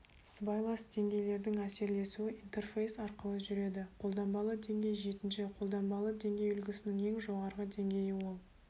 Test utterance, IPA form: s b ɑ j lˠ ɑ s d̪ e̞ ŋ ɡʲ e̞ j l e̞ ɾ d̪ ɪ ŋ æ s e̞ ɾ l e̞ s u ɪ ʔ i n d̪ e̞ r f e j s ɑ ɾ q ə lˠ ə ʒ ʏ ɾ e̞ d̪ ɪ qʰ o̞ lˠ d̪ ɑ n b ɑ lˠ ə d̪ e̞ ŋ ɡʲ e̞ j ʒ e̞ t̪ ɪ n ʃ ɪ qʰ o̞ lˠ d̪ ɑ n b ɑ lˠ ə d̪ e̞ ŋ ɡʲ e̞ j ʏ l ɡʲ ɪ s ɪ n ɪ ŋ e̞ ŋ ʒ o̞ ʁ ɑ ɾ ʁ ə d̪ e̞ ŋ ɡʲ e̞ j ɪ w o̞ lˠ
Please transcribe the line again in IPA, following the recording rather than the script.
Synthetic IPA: s b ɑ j lˠ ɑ s d̪ e̞ ŋ ɡʲ e̞ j l e̞ ɾ d̪ ɪ ŋ æ s e̞ ɾ l e̞ s u ɪ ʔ i n t̪ e̞ r f e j s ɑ ɾ q ə lˠ ə ʒ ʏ ɾ e̞ d̪ ɪ qʰ o̞ lˠ d̪ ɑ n b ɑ lˠ ə d̪ e̞ ŋ ɡʲ e̞ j ʒ e̞ t̪ ɪ n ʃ ɪ qʰ o̞ lˠ d̪ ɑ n b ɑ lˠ ə d̪ e̞ ŋ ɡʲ e̞ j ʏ l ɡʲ ɪ s ɪ n ɪ ŋ e̞ ŋ ʒ o̞ ʁ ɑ ɾ ʁ ə d̪ e̞ ŋ ɡʲ e̞ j ɪ w o̞ lˠ